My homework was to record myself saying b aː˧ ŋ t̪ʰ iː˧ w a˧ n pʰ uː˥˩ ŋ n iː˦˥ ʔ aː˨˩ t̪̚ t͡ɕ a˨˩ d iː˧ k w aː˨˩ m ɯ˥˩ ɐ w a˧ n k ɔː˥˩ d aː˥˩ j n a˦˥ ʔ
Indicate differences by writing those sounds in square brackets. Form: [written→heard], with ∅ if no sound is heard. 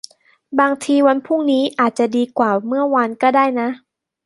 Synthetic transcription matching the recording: b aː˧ ŋ t̪ʰ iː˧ w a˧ n pʰ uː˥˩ ŋ n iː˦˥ ʔ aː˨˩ t̪̚ t͡ɕ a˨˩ d iː˧ k w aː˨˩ m ɯ˥˩ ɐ w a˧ n k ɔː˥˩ d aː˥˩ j n a˦˥ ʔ